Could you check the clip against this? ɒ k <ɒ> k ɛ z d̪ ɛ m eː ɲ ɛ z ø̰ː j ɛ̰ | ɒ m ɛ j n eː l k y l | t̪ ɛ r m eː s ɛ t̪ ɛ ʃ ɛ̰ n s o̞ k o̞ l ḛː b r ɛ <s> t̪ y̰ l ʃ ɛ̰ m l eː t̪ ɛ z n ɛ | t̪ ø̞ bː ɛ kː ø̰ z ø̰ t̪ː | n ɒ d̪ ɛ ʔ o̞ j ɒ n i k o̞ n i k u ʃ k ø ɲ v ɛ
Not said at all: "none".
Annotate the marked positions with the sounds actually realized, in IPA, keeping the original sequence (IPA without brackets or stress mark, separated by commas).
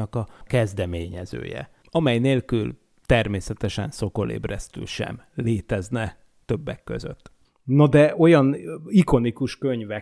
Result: ɒ, s